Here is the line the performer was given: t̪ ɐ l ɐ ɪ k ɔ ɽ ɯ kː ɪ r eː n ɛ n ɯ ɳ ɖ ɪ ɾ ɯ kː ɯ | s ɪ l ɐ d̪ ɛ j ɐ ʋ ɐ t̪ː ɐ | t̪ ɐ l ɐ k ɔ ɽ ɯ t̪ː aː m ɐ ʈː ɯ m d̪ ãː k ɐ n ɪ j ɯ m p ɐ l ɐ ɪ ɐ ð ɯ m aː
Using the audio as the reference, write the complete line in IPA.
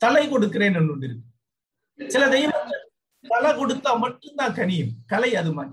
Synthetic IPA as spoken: t̪ ɐ l ɐ ɪ k ɔ ɽ ɯ kː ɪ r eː n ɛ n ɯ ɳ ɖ ɪ ɾ ɯ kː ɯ | s ɪ l ɐ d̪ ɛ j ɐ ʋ ɐ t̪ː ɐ | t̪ ɐ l ɐ k ɔ ɽ ɯ t̪ː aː m ɐ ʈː ɯ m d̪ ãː k ɐ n ɪ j ɯ m k ɐ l ɐ ɪ ɐ ð ɯ m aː